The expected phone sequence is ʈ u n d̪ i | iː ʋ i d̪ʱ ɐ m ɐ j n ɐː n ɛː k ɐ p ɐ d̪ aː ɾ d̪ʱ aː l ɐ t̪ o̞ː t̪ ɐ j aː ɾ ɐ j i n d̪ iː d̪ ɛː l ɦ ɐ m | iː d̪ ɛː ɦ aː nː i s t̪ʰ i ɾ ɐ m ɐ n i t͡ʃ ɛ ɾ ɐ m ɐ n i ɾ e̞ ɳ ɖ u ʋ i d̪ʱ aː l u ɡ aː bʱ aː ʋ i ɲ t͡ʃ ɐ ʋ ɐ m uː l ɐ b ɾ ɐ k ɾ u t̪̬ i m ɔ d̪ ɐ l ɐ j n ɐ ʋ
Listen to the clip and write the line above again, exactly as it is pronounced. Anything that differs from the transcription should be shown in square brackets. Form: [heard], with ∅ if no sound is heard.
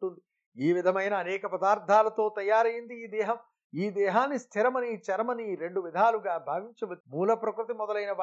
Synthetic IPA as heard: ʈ u n d̪ i | iː ʋ i d̪ʱ ɐ m ɐ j n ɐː n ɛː k ɐ p ɐ d̪ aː ɾ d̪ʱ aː l ɐ t̪ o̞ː t̪ ɐ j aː ɾ ɐ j i n d̪ iː d̪ ɛː [∅] ɦ ɐ m | iː d̪ ɛː ɦ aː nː i s t̪ʰ i ɾ ɐ m ɐ n i t͡ʃ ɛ ɾ ɐ m ɐ n i ɾ e̞ ɳ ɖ u ʋ i d̪ʱ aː l u ɡ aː bʱ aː ʋ i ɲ t͡ʃ ɐ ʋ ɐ m uː l ɐ [p] ɾ ɐ k ɾ u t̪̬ i m ɔ d̪ ɐ l ɐ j n ɐ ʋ